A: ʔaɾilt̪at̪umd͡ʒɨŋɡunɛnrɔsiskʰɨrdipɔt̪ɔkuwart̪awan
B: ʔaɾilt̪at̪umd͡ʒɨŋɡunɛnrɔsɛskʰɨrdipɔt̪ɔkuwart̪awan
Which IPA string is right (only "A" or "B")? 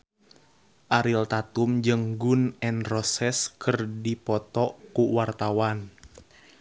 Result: B